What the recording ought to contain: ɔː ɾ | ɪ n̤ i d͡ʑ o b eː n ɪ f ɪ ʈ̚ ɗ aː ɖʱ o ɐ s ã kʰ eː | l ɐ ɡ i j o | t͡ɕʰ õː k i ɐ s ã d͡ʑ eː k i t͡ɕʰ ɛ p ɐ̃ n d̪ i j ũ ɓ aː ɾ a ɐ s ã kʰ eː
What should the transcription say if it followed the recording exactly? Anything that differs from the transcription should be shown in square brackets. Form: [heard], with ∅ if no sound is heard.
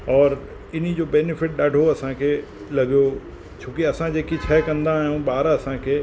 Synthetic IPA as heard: ɔː ɾ | ɪ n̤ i d͡ʑ o b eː n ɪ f ɪ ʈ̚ ɗ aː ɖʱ o ɐ s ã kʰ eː | l ɐ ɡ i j o | t͡ɕʰ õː k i ɐ s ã d͡ʑ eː k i t͡ɕʰ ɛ [k] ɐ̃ n d̪ [a] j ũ ɓ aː ɾ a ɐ s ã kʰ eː